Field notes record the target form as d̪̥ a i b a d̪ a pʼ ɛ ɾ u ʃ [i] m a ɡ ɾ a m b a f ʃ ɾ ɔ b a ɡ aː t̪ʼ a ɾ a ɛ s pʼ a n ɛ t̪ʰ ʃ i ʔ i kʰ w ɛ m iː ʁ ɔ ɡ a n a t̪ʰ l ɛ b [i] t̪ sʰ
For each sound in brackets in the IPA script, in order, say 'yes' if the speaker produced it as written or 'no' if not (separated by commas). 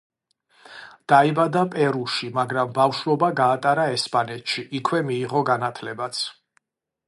yes, no